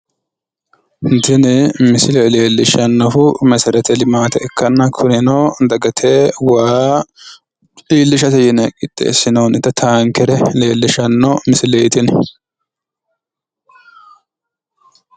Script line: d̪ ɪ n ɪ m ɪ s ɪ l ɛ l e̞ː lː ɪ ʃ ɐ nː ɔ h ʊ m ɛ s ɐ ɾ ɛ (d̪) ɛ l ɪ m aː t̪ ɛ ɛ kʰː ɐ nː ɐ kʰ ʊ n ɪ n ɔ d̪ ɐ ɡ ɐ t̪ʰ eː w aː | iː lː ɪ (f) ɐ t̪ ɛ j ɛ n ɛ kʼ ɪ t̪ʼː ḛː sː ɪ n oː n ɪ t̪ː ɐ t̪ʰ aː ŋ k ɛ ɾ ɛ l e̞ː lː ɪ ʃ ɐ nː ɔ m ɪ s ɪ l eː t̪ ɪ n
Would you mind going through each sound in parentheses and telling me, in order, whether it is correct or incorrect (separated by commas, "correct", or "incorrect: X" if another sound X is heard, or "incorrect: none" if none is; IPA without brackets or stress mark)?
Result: incorrect: t̪, incorrect: ʃ